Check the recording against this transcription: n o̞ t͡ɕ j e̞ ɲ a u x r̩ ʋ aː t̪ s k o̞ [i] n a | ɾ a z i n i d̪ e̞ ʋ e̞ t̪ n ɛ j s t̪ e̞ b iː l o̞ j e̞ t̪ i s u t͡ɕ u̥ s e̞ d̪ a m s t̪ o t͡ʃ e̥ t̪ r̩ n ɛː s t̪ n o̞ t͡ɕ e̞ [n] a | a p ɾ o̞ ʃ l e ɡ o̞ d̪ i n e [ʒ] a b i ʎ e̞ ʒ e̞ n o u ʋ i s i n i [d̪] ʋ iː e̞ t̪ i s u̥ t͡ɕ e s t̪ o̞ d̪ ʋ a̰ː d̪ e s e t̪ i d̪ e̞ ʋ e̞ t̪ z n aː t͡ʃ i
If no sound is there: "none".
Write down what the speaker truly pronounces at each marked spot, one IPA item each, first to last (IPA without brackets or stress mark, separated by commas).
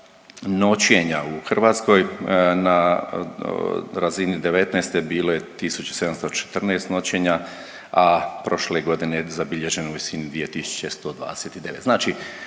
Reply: j, ɲ, z, d̪